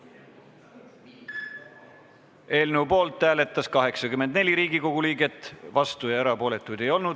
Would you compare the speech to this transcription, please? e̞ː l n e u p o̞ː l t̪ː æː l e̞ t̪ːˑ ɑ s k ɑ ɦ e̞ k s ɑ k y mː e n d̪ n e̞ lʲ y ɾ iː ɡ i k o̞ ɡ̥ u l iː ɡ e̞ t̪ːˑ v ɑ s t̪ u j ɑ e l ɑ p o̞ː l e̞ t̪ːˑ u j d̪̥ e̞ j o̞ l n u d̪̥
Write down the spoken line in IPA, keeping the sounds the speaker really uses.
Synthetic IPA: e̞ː l n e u p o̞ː l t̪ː æː l e̞ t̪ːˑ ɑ s k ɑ ɦ e̞ k s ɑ k y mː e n d̪ n e̞ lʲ i ɾ iː ɡ i k o̞ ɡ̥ u l iː ɡ e̞ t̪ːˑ v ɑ s t̪ u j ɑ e ɾ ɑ p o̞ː l e̞ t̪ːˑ u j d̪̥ e̞ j o̞ l n u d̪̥